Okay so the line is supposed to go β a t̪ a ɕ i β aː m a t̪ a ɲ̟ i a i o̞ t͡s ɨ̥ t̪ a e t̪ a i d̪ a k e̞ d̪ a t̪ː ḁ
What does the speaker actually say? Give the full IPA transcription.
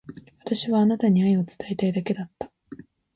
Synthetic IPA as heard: β a t̪ a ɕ i β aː n a t̪ a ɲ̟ i a i o̞ t͡s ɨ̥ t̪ a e t̪ a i d̪ a k e̞ d̪ a t̪ː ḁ